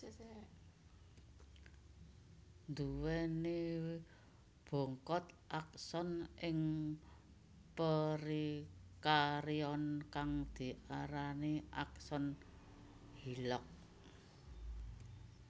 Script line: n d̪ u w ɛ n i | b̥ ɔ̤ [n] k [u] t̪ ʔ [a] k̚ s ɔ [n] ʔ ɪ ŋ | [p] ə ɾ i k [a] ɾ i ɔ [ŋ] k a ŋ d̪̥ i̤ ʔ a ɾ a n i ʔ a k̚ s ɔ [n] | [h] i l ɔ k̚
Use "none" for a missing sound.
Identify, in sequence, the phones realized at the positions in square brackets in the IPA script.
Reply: ŋ, ɔ, a, n, p, a, n, n, h

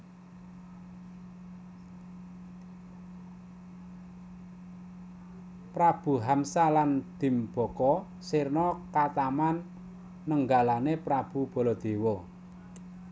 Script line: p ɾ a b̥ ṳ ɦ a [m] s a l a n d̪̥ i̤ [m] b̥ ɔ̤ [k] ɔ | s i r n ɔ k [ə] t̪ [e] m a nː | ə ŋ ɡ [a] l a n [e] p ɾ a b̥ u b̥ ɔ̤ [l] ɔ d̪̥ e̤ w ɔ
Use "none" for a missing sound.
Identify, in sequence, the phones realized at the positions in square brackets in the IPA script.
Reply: m, m, k, a, a, a, e, l

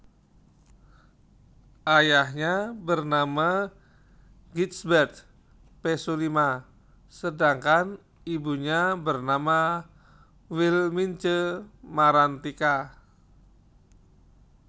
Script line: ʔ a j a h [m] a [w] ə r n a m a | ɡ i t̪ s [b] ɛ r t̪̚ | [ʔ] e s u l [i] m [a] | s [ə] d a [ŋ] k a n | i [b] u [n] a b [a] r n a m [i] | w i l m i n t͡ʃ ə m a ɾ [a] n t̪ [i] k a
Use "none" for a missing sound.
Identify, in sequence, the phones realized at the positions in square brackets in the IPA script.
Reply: ɲ, b, b, p, i, a, ə, ŋ, b, ɲ, ə, a, a, i

